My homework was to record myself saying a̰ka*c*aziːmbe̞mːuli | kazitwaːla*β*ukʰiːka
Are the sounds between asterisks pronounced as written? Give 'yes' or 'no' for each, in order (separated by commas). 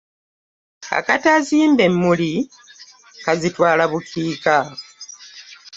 no, yes